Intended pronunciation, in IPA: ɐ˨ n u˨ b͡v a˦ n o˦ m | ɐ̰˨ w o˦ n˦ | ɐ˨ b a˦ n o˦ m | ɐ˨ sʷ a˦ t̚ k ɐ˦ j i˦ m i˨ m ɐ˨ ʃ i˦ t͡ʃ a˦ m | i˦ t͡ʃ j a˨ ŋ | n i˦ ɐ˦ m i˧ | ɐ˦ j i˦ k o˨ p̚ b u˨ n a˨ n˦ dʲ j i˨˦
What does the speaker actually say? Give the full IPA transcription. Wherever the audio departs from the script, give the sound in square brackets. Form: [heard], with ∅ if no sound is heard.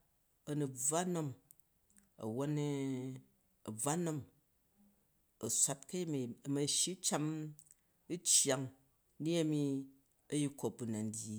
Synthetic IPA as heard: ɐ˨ n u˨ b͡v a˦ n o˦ m | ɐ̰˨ w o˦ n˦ | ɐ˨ [b͡v] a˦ n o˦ m | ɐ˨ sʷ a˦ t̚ k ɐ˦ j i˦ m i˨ m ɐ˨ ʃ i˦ t͡ʃ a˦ m | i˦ t͡ʃ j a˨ ŋ | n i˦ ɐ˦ m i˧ | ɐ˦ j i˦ k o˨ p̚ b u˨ n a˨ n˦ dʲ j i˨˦